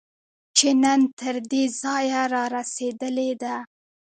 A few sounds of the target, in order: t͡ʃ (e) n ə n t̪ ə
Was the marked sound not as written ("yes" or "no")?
no